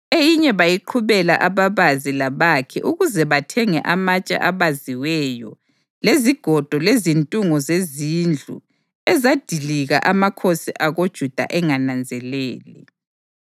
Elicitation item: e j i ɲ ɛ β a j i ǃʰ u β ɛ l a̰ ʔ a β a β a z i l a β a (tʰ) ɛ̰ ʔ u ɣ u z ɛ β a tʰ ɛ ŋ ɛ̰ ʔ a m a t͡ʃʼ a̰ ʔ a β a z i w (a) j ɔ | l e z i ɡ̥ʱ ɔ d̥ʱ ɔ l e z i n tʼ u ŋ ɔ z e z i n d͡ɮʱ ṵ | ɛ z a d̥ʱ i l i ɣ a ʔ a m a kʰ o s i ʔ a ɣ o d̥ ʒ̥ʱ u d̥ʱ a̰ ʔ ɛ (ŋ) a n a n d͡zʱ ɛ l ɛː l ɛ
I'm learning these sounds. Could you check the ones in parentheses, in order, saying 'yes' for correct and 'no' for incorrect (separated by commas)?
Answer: no, no, yes